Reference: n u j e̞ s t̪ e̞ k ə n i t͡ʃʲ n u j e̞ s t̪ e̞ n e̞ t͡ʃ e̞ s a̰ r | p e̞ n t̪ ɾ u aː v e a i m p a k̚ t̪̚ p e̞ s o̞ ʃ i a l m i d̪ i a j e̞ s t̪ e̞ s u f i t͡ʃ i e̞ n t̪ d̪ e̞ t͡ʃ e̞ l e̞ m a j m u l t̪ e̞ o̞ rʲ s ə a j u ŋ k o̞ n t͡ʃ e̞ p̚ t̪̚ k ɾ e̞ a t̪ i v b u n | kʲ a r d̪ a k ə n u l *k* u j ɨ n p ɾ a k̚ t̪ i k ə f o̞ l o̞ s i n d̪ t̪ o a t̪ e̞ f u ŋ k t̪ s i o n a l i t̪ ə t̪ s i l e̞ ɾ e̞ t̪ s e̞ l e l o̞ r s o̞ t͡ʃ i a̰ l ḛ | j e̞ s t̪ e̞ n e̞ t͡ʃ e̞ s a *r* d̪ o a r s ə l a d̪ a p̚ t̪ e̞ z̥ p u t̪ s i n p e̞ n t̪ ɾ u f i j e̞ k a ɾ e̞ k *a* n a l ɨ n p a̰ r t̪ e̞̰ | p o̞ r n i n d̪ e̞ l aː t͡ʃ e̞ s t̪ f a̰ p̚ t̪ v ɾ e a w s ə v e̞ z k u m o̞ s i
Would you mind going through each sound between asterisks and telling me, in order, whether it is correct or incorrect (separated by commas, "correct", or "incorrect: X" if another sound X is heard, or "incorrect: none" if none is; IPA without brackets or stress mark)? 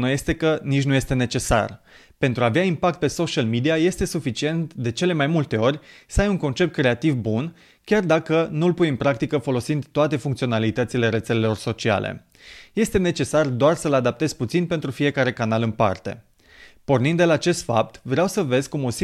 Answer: incorrect: p, correct, correct